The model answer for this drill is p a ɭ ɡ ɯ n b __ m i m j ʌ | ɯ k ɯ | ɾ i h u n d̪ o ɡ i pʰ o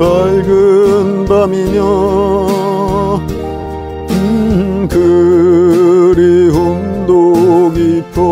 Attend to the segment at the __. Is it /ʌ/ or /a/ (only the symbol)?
a